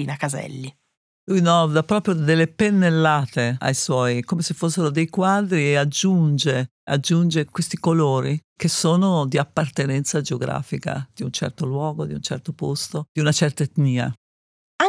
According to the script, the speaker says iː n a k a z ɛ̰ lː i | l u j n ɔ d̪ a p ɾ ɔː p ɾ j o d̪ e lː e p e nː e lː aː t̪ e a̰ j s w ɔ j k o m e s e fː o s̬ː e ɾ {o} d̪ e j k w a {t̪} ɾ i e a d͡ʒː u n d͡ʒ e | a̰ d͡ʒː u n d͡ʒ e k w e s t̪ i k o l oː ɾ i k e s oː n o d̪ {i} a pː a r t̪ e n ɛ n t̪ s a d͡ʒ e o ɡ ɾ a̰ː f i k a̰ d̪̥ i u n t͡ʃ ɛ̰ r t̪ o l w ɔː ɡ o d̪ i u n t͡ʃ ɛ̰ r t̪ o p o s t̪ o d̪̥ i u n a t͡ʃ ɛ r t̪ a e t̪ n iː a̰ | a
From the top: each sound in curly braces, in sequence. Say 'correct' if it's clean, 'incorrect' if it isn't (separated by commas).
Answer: correct, incorrect, correct